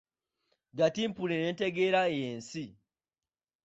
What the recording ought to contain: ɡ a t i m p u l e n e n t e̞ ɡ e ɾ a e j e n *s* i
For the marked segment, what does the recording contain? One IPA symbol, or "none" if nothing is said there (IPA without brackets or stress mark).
s